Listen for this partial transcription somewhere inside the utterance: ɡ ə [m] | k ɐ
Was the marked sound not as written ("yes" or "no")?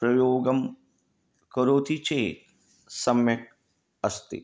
no